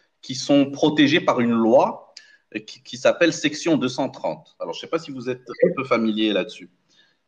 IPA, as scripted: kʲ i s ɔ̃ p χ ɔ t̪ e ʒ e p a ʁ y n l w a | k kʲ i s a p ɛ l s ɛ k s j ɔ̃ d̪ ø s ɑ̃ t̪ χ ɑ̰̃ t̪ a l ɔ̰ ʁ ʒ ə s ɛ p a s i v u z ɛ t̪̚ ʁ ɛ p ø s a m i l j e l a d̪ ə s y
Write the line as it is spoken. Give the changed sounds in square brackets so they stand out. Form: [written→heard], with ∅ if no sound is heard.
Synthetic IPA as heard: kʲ i s ɔ̃ p χ ɔ t̪ e ʒ e p a ʁ y n l w a | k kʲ i s a p ɛ l s ɛ k s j ɔ̃ d̪ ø s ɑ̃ t̪ χ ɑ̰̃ t̪ a l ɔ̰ ʁ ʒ ə s ɛ p a s i v u z ɛ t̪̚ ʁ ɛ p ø [s→f] a m i l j e l a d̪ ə s y